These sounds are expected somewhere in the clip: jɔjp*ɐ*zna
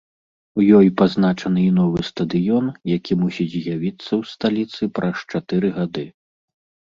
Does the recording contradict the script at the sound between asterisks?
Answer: yes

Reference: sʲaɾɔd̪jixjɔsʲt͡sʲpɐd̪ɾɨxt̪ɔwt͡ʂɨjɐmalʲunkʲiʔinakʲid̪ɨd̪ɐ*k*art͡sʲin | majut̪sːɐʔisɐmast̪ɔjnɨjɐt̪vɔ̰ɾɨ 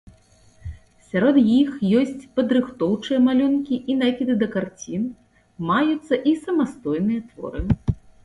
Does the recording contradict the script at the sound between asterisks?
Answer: no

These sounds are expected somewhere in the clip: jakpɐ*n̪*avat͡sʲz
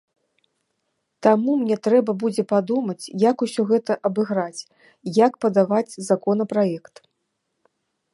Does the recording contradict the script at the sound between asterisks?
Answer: yes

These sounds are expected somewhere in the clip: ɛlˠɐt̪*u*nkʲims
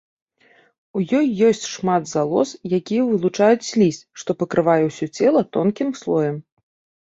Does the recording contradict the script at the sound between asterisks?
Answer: yes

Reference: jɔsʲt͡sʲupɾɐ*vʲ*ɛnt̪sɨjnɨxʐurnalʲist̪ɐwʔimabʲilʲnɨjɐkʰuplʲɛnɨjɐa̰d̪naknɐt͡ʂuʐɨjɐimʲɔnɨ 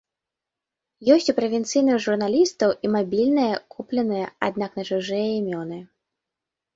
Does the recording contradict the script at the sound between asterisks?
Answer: no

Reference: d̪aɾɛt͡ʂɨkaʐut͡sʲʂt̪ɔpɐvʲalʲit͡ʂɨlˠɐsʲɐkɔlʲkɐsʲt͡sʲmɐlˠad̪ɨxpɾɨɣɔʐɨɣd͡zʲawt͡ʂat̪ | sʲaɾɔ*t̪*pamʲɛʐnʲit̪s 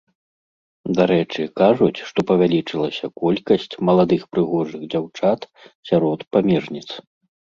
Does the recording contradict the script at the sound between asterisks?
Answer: no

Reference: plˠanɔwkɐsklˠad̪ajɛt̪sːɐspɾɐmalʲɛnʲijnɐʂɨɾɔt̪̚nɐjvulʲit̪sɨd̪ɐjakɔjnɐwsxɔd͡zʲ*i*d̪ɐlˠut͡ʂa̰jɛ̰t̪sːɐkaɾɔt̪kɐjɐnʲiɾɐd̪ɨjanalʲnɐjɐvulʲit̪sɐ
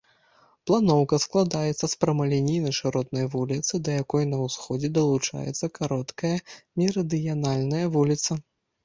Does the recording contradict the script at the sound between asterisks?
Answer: yes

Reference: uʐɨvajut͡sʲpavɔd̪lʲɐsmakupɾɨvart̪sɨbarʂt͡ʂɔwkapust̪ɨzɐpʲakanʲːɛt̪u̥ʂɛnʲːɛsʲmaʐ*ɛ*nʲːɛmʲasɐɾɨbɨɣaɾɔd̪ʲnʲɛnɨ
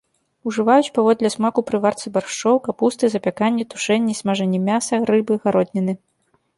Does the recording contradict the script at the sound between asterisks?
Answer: no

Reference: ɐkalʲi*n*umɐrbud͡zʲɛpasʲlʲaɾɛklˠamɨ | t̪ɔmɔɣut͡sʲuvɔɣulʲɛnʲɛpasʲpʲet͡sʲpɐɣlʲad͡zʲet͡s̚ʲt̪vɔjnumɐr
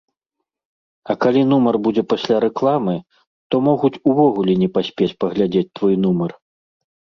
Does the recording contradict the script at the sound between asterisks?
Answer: no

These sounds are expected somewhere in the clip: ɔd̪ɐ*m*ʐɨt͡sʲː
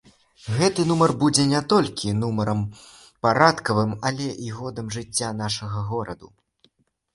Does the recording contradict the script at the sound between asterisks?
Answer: no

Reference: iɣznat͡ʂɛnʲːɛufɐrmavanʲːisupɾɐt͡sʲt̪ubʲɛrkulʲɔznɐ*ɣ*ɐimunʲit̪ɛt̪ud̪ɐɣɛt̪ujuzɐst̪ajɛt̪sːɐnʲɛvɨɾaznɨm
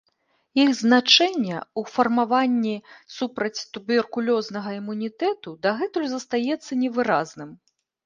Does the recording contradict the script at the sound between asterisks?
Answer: no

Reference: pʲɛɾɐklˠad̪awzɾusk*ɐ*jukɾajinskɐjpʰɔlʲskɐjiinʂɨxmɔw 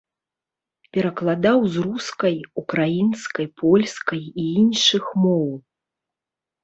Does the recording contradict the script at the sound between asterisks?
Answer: no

